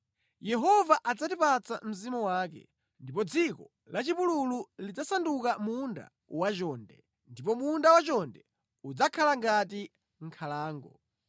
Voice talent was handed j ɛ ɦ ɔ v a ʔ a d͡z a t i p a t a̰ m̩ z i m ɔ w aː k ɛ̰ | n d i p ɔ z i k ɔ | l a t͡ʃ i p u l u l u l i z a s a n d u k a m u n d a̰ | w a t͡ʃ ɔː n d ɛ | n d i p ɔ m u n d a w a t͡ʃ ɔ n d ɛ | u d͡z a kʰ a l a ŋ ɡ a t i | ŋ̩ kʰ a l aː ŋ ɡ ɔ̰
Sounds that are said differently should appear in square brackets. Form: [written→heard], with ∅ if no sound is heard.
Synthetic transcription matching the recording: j ɛ ɦ ɔ v a ʔ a d͡z a t i p a [t→t͡s] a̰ m̩ z i m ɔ w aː k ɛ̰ | n d i p ɔ [z→d͡z] i k ɔ | l a t͡ʃ i p u l u l u l i [z→d͡z] a s a n d u k a m u n d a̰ | w a t͡ʃ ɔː n d ɛ | n d i p ɔ m u n d a w a t͡ʃ ɔ n d ɛ | u d͡z a kʰ a l a ŋ ɡ a t i | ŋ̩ kʰ a l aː ŋ ɡ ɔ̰